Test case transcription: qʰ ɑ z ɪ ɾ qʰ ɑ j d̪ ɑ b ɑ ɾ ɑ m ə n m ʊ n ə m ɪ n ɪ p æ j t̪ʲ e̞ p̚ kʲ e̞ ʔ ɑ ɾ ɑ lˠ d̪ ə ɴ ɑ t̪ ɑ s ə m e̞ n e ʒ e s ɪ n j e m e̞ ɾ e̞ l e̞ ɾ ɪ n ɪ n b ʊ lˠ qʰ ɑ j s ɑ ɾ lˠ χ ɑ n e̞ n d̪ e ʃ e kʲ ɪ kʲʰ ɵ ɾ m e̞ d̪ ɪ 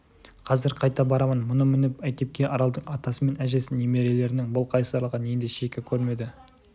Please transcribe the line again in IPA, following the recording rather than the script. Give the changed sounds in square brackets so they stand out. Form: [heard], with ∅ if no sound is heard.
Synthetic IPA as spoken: qʰ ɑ z ɪ ɾ qʰ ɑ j [t̪] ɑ b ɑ ɾ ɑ m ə n m ʊ n ə m ɪ n ɪ p æ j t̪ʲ e̞ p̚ kʲ e̞ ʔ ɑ ɾ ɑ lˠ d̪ ə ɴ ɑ t̪ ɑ s ə m e̞ n [æ] ʒ e s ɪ n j e m e̞ ɾ e̞ l e̞ ɾ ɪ n ɪ [ŋ] b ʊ lˠ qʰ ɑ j s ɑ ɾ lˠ [ʁ] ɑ n e̞ n d̪ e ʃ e kʲ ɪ kʲʰ ɵ ɾ m e̞ d̪ ɪ